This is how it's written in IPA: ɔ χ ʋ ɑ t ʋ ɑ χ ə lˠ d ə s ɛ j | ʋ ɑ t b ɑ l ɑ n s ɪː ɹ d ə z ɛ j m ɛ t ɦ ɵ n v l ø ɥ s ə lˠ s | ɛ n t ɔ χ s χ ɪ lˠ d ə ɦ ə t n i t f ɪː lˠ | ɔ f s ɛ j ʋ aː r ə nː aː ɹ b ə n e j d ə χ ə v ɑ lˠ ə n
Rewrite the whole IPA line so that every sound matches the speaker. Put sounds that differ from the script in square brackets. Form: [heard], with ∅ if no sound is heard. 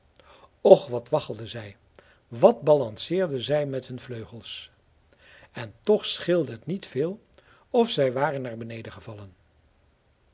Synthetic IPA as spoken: ɔ χ ʋ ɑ t ʋ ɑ χ ə lˠ d ə [z] ɛ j | ʋ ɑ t b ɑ l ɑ n s ɪː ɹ d ə z ɛ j m ɛ t ɦ ɵ n v l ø ɥ [χ] ə lˠ s | ɛ n t ɔ χ s χ ɪ lˠ d ə ɦ ə t n i t f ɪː lˠ | ɔ f s ɛ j ʋ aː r ə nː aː ɹ b ə n e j d ə χ ə v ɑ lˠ ə n

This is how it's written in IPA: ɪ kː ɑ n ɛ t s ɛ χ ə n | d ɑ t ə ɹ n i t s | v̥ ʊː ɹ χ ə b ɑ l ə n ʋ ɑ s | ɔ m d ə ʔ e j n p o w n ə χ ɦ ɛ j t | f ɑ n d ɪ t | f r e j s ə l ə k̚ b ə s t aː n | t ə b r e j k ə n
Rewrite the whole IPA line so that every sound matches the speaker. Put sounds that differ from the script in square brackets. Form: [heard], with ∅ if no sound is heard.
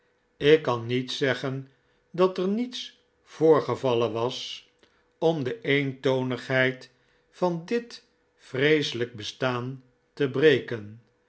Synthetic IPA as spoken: ɪ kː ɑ n [i] t s ɛ χ ə n | d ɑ t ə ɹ n i t s | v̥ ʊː ɹ χ ə [v] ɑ l ə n ʋ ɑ s | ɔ m d ə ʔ e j n [t] o w n ə χ ɦ ɛ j t | f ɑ n d ɪ t | f r e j s ə l ə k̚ b ə s t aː n | t ə b r e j k ə n

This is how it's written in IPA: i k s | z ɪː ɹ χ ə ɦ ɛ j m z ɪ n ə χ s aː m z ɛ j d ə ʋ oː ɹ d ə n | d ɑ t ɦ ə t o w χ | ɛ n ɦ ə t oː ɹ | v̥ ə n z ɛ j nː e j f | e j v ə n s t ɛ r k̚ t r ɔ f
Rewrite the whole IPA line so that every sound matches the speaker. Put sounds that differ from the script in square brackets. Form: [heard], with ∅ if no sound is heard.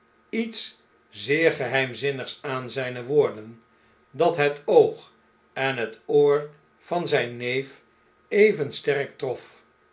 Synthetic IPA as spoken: i [t] s | z ɪː ɹ χ ə ɦ ɛ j m z ɪ n ə χ s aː [n] z ɛ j [n] ə ʋ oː ɹ d ə n | d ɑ t ɦ ə t o w χ | ɛ n ɦ ə t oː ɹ | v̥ [ɑ] n z ɛ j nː e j f | e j v ə n s t ɛ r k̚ t r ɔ f

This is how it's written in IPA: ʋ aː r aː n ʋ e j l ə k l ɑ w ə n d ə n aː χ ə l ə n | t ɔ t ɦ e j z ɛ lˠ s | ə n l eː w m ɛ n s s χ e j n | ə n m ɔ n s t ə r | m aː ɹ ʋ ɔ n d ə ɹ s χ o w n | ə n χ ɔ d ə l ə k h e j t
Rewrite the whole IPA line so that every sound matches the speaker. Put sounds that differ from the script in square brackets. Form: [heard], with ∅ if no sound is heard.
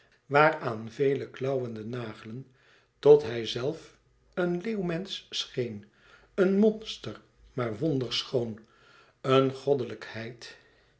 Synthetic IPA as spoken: ʋ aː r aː n [v] e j l ə k l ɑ w ə n d ə n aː χ ə l ə n | t ɔ t ɦ [ɛ] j z ɛ lˠ [f] | ə n l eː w m ɛ n s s χ e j n | ə n m ɔ n s t ə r | m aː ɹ ʋ ɔ n d ə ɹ s χ o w n | ə n χ ɔ d ə l ə k h [ɛ] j t

